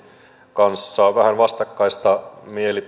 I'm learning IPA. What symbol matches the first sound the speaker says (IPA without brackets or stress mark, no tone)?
k